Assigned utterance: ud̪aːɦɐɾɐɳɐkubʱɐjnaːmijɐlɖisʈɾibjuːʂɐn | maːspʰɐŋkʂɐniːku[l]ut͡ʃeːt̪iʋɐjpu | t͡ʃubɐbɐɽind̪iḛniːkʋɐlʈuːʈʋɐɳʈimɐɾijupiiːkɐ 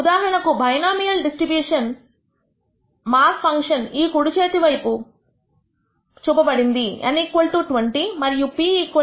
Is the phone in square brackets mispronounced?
yes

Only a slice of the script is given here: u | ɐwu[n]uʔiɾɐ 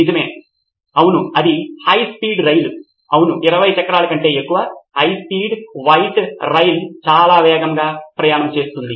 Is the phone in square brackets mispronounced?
no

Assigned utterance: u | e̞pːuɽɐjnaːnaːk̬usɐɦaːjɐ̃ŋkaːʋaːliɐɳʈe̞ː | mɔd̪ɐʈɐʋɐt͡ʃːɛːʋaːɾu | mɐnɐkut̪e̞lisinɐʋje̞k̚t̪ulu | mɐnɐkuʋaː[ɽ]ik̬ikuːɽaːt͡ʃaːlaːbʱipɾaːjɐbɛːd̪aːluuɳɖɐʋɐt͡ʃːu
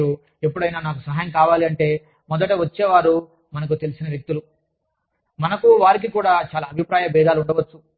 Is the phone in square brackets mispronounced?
yes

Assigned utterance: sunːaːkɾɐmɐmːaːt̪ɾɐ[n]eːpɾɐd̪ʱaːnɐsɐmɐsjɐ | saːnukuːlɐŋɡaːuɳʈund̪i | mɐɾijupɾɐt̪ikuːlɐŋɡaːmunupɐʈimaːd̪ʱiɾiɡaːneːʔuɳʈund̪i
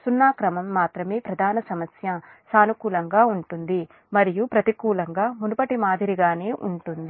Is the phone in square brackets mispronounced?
yes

